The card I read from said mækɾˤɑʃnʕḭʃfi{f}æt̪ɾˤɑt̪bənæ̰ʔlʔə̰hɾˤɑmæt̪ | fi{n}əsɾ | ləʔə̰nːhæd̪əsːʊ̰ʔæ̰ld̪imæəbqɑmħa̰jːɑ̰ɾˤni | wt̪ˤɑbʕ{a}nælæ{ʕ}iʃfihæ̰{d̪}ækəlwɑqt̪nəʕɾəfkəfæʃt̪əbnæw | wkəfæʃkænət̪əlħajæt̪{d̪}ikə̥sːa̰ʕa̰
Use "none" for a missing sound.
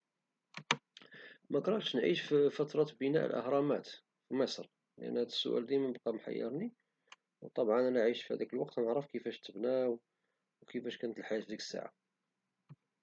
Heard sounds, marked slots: f, m, ɑ, ʕ, d̪, d̪

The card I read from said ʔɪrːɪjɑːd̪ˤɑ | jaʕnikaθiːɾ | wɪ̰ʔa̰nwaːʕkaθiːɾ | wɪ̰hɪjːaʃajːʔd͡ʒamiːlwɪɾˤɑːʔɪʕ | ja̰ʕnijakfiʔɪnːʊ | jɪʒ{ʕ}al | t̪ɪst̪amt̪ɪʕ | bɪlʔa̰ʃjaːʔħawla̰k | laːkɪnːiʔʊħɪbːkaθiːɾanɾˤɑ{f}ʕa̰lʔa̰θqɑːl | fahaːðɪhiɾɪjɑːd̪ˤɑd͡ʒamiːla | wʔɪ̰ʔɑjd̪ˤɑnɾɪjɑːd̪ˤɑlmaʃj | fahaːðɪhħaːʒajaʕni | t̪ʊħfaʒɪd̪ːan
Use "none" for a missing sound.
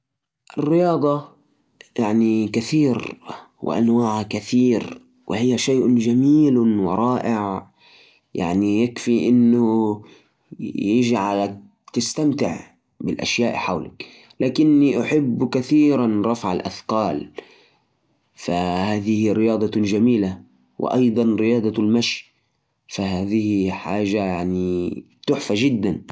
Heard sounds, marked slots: ʕ, f

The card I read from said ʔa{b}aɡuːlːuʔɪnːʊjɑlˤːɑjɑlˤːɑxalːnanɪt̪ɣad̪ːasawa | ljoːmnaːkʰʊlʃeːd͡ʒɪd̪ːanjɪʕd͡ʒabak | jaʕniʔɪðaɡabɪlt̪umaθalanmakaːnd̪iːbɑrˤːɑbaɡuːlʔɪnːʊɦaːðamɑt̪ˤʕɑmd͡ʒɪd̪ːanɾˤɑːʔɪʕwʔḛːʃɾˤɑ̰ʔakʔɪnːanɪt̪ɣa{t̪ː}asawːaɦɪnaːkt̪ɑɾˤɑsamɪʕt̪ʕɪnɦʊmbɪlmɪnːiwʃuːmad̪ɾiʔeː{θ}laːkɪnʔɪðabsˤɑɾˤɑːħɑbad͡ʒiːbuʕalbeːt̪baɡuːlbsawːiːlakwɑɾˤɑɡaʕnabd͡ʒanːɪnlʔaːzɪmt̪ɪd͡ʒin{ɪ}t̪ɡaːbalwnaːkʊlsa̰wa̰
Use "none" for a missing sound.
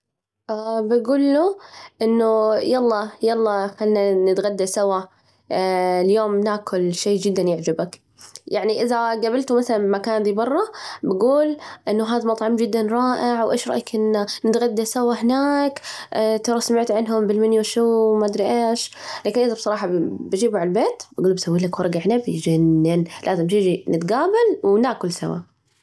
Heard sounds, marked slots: b, d̪ː, ʃ, ɪ

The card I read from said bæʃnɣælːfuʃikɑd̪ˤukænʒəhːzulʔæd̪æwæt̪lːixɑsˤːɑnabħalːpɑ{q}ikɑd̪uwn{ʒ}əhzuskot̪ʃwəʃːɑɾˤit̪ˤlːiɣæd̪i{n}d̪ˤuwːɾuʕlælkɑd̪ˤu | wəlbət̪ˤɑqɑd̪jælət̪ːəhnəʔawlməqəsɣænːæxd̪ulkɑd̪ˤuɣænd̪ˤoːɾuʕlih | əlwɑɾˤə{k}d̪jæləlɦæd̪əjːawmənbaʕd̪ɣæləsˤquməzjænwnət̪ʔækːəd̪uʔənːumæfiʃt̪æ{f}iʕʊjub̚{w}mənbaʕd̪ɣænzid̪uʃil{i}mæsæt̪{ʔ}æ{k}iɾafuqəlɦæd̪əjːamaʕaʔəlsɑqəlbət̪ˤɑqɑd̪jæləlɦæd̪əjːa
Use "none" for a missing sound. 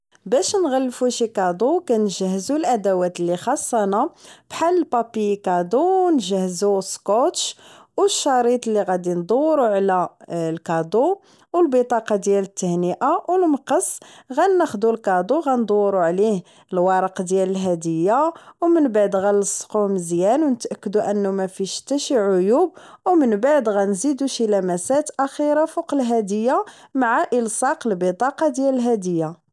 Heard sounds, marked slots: p, ʒ, n, q, ʃ, w, æ, ʔ, x

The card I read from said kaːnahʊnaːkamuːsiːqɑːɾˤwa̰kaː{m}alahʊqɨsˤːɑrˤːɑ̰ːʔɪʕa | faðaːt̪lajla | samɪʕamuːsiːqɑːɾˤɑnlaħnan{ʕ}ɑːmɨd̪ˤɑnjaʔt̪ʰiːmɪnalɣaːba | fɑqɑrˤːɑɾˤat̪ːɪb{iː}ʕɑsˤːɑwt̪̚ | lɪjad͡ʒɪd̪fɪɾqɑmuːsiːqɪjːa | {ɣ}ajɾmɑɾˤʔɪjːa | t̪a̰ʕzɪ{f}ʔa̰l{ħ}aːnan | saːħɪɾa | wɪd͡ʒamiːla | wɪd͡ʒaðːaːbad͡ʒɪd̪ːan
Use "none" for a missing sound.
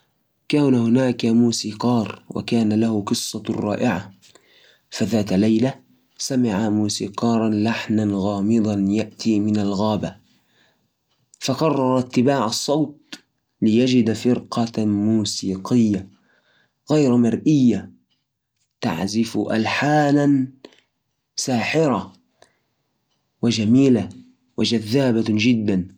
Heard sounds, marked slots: n, ɣ, aː, ɣ, f, ħ

